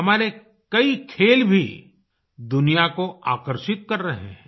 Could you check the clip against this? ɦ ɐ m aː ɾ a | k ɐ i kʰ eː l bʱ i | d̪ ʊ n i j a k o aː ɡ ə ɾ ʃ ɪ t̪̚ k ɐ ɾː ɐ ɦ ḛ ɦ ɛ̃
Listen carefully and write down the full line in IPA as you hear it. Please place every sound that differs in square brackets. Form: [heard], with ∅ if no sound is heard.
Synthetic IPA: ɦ ɐ m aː ɾ [e] | k ɐ i kʰ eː l bʱ i | d̪ ʊ n i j a k o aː [k] ə ɾ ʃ ɪ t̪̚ k ɐ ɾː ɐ ɦ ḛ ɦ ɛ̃